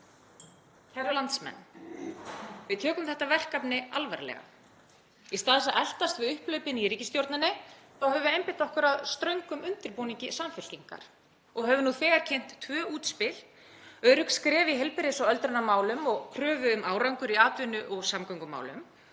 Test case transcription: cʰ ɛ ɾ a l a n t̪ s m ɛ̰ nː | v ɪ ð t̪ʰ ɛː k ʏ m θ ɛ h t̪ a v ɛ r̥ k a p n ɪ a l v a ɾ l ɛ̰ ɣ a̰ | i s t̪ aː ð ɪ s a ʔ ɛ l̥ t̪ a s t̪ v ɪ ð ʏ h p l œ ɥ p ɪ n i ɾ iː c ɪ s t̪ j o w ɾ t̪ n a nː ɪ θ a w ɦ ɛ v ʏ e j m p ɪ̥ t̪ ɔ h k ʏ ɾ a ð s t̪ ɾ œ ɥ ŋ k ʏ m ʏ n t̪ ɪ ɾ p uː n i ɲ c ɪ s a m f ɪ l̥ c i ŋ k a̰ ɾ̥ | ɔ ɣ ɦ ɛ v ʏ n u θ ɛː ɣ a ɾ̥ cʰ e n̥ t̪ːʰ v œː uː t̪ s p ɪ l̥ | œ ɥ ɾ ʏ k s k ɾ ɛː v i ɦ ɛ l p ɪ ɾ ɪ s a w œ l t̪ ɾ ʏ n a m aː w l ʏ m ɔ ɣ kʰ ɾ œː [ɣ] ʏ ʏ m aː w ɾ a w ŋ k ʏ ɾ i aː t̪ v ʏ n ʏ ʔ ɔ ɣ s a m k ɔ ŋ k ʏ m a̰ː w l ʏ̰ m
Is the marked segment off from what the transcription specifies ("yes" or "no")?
yes